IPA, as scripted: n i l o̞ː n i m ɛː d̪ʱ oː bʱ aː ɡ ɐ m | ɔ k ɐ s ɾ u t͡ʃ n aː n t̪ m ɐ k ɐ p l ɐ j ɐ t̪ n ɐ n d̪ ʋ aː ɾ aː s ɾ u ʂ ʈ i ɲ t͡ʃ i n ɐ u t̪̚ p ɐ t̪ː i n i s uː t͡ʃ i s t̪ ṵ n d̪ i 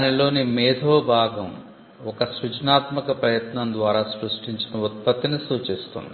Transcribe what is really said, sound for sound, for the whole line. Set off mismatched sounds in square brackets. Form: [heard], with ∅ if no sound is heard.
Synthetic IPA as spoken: n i l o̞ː n i m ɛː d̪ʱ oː bʱ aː ɡ ɐ m | ɔ k ɐ s ɾ u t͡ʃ n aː [∅] t̪ m ɐ k ɐ p [ɾ] ɐ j ɐ t̪ n ɐ n d̪ ʋ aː ɾ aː s ɾ u ʂ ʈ i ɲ t͡ʃ i n ɐ u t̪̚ p ɐ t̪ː i n i s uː t͡ʃ i s t̪ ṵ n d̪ i